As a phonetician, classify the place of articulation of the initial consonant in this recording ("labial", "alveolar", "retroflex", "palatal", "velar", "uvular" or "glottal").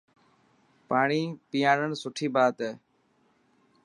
labial